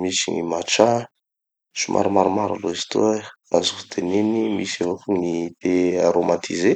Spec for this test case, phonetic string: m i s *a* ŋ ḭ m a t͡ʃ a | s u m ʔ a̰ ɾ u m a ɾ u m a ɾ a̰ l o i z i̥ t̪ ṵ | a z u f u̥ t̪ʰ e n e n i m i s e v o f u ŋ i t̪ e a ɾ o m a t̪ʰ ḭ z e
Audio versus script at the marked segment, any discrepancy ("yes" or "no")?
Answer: yes